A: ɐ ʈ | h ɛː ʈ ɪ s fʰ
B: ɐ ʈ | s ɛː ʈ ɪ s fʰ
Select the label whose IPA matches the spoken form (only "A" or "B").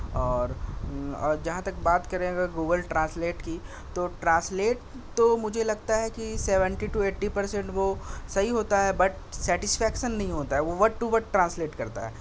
B